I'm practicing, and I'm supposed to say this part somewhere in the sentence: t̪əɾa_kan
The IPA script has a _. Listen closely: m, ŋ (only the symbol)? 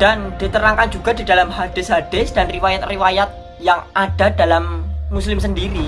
ŋ